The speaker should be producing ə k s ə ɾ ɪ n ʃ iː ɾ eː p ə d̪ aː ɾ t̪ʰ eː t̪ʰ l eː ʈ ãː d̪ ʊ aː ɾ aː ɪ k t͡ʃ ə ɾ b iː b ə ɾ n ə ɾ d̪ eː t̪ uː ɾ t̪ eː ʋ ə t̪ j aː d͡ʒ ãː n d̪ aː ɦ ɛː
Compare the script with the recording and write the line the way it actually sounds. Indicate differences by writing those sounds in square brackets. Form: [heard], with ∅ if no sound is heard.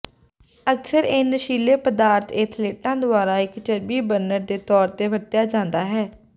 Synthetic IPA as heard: ə k s ə ɾ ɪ n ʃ iː [l] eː p ə d̪ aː ɾ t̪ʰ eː t̪ʰ l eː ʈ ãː d̪ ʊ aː ɾ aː ɪ k t͡ʃ ə ɾ b iː b ə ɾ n ə ɾ d̪ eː t̪ [ɔː] ɾ t̪ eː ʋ ə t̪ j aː d͡ʒ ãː n d̪ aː ɦ ɛː